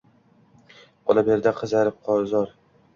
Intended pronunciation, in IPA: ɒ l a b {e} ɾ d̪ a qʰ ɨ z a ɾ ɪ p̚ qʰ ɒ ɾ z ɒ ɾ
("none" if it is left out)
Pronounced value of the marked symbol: e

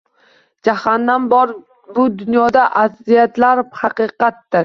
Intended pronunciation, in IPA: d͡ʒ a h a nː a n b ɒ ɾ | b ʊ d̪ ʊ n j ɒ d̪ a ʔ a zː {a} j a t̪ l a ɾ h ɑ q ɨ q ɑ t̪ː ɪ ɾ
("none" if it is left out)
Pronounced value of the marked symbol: i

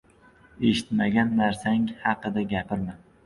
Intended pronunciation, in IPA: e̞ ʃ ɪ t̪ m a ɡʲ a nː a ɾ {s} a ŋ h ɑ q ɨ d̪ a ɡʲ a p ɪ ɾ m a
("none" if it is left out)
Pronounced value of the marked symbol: s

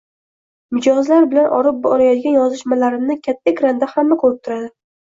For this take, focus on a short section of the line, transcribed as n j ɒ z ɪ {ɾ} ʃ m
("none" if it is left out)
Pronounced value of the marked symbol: none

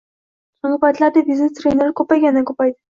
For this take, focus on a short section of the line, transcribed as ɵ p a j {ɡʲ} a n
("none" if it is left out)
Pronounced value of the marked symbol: ɡʲ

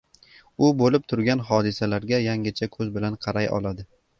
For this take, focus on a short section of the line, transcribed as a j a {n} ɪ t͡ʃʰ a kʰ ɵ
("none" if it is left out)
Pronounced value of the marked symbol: ŋ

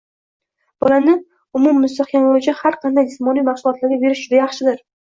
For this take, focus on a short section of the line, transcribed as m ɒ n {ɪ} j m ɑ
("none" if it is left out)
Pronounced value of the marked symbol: i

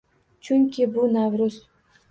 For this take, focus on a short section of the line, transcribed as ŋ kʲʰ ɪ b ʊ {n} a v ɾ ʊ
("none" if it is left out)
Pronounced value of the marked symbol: n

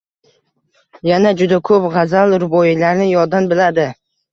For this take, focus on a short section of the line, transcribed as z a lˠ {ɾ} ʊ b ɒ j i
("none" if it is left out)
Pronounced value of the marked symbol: ɾ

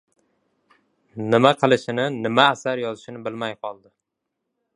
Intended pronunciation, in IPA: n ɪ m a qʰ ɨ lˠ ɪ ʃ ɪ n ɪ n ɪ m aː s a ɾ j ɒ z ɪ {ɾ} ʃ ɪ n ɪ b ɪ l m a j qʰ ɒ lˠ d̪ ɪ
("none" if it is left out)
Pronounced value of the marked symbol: none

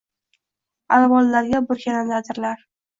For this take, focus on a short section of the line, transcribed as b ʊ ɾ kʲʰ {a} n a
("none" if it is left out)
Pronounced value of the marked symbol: a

